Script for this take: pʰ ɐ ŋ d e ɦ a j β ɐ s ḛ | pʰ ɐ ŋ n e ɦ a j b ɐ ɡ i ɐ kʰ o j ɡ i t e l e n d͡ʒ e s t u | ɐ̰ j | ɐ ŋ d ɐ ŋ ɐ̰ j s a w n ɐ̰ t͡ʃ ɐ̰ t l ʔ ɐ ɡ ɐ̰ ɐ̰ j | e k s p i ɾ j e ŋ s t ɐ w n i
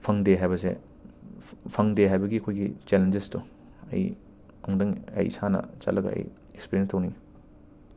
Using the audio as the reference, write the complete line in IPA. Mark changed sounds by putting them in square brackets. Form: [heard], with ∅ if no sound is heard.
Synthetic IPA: pʰ ɐ ŋ d e ɦ a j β ɐ s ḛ | pʰ ɐ ŋ [d] e ɦ a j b ɐ ɡ i ɐ kʰ o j ɡ i [t͡ʃ] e l e n d͡ʒ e s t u | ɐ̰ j | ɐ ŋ d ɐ ŋ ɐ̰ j s a [∅] n ɐ̰ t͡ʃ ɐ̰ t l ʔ ɐ ɡ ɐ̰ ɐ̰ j | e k s p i ɾ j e [n] s t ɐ w n i